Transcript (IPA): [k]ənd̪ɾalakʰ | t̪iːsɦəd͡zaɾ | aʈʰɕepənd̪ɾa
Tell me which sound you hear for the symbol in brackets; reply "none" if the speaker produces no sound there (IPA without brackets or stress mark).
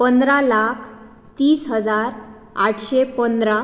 p